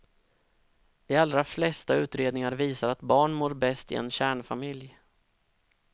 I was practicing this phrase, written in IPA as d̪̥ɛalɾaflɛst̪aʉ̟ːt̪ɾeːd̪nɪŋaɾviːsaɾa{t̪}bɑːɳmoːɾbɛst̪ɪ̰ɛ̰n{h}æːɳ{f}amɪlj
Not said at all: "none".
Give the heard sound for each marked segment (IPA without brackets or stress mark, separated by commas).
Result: t̪, ɕ, f